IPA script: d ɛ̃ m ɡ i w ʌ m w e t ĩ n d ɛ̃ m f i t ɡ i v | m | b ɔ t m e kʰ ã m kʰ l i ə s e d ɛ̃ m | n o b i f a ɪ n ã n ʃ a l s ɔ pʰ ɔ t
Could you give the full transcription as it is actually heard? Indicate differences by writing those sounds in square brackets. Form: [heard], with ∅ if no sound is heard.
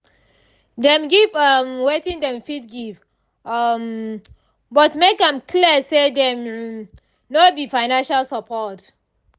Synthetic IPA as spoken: d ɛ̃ m ɡ i [v] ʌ m w e t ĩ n d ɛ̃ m f i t ɡ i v | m | b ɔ t m e [k] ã m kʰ l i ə s e d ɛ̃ m | n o b i f a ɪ n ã n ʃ a l s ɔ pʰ ɔ t